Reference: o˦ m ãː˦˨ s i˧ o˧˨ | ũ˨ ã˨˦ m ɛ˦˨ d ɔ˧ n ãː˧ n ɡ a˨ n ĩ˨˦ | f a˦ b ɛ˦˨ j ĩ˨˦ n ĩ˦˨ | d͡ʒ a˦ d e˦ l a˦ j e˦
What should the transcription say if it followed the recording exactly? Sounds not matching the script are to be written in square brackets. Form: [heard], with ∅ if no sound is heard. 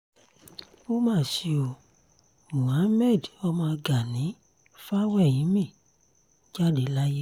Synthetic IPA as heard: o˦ m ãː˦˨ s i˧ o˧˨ | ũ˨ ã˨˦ m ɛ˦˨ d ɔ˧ [m] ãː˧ [∅] ɡ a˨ n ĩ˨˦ | f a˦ [w] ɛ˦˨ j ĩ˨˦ [m] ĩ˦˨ | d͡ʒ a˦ d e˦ l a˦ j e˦